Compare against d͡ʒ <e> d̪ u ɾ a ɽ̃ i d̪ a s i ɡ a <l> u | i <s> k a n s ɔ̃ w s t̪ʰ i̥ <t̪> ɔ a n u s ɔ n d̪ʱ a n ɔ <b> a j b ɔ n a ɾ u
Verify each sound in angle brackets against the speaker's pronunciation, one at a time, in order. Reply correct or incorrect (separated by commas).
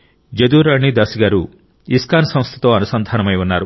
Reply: correct, incorrect, correct, correct, incorrect